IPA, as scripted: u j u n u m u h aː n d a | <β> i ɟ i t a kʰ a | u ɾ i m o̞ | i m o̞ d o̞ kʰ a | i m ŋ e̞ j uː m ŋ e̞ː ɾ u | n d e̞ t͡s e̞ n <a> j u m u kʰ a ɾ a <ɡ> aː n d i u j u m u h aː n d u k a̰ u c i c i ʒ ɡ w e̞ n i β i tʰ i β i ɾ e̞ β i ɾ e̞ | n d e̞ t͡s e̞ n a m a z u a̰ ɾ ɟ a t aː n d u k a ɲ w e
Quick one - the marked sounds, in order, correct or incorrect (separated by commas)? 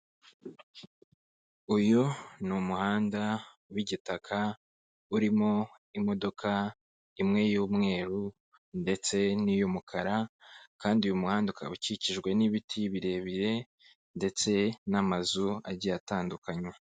incorrect, incorrect, incorrect